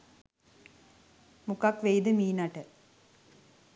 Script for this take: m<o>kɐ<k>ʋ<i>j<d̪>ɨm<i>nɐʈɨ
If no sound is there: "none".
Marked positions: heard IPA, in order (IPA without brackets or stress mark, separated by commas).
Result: u, k, e, d̪, iː